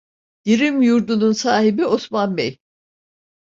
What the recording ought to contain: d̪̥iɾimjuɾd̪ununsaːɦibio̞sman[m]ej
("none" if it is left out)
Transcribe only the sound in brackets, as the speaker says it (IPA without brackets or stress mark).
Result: b